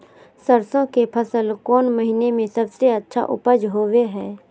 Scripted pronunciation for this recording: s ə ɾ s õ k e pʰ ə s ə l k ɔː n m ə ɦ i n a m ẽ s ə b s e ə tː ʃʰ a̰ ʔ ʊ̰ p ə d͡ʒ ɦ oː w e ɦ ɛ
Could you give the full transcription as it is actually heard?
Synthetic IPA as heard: s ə ɾ s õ k e pʰ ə s ə l k ɔː n m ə ɦ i n e m ẽ s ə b s e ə tː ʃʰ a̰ ʔ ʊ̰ p ə d͡ʒ ɦ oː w e ɦ ɛː